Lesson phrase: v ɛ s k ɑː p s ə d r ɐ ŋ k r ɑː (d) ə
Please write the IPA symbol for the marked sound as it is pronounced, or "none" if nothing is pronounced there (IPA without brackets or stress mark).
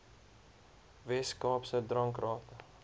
t